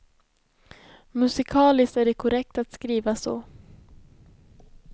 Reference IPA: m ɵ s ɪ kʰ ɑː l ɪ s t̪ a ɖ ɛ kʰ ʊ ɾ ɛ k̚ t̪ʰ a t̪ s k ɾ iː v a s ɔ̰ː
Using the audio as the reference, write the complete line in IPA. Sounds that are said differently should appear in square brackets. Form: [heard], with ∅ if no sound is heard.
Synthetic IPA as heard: m ɵ s ɪ kʰ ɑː l ɪ s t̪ [æ] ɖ ɛ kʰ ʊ ɾ ɛ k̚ [t̪] a t̪ s k ɾ iː v a s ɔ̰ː